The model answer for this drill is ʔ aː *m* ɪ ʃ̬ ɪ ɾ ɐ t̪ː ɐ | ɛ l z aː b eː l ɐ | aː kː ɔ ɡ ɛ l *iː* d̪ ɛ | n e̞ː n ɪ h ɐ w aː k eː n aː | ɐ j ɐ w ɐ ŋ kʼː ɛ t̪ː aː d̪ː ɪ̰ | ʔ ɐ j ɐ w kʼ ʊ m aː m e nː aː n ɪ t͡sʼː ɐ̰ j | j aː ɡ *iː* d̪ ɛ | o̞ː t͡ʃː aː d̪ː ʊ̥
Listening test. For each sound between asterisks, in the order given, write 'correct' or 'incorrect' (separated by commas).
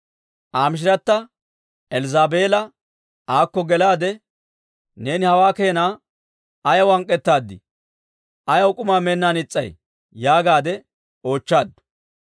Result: correct, incorrect, incorrect